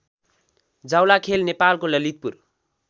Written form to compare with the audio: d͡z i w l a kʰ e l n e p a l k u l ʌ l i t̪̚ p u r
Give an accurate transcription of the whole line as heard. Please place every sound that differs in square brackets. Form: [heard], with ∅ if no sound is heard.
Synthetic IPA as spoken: d͡z [a] w l a kʰ e l n e p a l k [o] l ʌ l i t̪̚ p u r